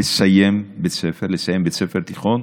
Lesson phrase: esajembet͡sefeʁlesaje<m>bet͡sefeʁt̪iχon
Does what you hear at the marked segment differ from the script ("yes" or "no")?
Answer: no